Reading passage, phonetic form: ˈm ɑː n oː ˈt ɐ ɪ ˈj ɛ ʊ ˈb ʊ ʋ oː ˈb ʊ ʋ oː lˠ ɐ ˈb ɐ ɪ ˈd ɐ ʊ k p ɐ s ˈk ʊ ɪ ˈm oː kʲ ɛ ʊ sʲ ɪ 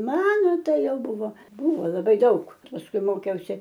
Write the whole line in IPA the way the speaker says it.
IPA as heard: ˈm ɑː n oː ˈt ɐ ɪ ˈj ɛ ʊ ˈb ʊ ʋ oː ˈb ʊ ʋ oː lˠ ɐ ˈb ɐ ɪ ˈd ɐ ʊ k p ɐ s ˈk ʊ ɪ ˈm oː kʲ ɛ ʊ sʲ ɪ